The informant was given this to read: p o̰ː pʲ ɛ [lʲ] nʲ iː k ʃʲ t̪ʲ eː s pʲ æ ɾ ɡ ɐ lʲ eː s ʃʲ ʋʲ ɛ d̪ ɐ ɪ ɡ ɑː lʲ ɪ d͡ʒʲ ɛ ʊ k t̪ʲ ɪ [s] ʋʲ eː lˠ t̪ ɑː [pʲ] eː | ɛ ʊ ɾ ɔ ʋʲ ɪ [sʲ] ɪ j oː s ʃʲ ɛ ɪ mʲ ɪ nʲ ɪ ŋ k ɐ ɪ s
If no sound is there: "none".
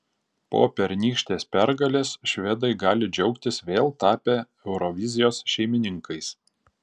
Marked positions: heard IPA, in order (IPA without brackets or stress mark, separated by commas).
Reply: ɾʲ, s, pʲ, zʲ